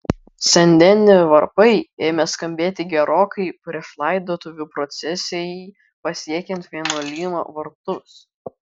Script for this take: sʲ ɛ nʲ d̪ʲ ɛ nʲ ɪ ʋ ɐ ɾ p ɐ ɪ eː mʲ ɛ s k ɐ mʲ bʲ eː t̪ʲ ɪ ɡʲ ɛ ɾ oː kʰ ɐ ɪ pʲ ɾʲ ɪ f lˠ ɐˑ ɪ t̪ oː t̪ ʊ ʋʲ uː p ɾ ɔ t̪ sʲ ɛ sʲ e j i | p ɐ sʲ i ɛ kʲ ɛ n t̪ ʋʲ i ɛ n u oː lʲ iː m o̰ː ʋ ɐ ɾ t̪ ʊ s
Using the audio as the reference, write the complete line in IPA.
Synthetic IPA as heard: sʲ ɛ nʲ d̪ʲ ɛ nʲ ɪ ʋ ɐ ɾ p ɐ ɪ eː mʲ ɛ s k ɐ mʲ bʲ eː t̪ʲ ɪ ɡʲ ɛ ɾ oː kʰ ɐ ɪ pʲ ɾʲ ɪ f lˠ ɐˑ ɪ d̪ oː t̪ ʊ ʋʲ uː p ɾ ɔ t̪ sʲ ɛ sʲ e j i | p ɐ sʲ i ɛ kʲ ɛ n t̪ ʋʲ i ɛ n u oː lʲ iː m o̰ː ʋ ɐ ɾ t̪ ʊ s